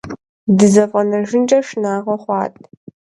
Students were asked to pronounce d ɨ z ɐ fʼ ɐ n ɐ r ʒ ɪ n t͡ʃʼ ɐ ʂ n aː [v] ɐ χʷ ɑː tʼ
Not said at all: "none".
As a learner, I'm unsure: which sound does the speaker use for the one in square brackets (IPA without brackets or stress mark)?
ʁ